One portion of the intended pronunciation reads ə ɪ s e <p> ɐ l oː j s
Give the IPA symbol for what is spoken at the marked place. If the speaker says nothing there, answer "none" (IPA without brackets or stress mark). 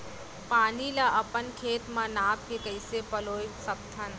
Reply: p